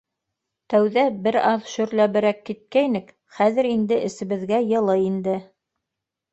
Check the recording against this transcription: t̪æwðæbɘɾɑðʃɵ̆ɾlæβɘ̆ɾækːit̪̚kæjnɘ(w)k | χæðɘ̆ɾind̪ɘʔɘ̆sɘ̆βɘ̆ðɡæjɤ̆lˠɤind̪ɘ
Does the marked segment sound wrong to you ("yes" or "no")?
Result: yes